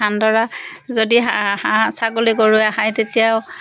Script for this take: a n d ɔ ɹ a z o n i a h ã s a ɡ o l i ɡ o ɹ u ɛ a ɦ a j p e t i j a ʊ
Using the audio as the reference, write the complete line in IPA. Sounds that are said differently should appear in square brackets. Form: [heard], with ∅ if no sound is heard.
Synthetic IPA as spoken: a n d ɔ ɹ a z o [d] i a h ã s a ɡ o l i ɡ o ɹ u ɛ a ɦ a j [t] e t i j a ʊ